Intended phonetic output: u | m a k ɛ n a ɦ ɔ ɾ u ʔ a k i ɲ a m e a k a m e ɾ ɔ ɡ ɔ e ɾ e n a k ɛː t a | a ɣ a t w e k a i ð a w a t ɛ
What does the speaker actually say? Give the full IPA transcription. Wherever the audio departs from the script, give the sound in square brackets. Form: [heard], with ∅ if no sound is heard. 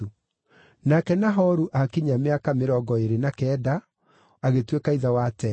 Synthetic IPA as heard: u | [n] a k ɛ n a ɦ ɔ ɾ u ʔ a k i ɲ a m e a k a m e ɾ ɔ ɡ ɔ e ɾ e n a k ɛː [d] a | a ɣ [e] t w e k a i ð a w a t ɛ